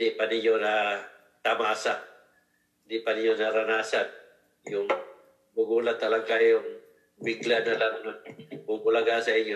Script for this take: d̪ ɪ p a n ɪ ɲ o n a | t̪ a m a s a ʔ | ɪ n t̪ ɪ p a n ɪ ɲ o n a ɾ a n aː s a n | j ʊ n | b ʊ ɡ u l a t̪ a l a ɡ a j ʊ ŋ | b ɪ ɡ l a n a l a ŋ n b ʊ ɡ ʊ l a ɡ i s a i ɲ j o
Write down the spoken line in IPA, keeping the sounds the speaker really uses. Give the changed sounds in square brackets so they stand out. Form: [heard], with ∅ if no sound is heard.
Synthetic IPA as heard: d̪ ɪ p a n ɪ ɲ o n a | t̪ a m a s a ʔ | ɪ n [d̪] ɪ p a n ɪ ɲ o n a ɾ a n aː s a n | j ʊ [ŋ] | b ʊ ɡ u l a t̪ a l a ɡ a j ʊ ŋ | b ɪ ɡ l a n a l a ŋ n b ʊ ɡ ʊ l a ɡ [a] s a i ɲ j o